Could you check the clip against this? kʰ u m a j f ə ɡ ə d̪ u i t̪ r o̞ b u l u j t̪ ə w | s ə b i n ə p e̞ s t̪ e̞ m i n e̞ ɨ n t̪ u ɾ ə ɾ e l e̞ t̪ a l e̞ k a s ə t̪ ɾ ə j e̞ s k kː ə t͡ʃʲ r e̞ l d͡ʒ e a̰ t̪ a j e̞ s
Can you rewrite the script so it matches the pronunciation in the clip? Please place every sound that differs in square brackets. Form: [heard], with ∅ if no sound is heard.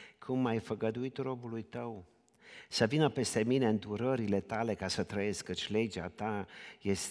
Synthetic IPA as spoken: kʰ u m a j f ə ɡ ə d̪ u i t̪ r o̞ b u l u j t̪ ə w | s ə [v] i n ə p e̞ s t̪ e̞ m i n e̞ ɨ n [d̪] u ɾ ə ɾ [i] l e̞ t̪ a l e̞ k a s ə t̪ ɾ ə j e̞ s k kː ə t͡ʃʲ [l] e̞ [∅] d͡ʒ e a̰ t̪ a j e̞ s